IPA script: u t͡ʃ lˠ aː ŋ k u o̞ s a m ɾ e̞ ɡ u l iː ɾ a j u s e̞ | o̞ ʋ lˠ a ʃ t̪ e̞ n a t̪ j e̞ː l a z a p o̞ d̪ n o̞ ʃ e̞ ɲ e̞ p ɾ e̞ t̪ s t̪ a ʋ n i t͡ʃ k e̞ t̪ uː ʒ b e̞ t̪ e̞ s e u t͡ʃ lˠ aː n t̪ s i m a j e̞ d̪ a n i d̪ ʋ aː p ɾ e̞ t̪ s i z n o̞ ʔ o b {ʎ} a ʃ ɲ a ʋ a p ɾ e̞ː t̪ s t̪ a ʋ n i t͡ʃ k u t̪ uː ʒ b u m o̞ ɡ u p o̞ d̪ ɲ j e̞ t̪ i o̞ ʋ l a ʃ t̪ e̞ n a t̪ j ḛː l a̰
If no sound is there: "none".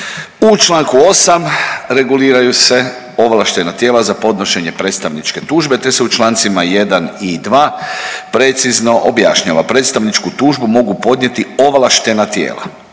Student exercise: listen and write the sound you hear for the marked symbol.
j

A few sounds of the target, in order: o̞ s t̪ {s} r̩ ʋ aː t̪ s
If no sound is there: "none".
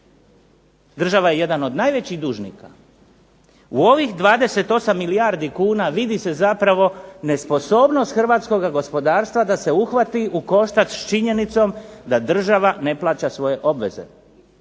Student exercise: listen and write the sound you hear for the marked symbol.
x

